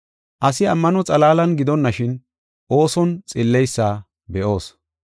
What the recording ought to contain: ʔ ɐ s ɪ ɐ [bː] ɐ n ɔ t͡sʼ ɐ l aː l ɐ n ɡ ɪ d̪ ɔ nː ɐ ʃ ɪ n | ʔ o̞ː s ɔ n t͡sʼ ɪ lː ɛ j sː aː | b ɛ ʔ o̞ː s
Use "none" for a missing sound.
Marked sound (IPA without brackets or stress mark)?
mː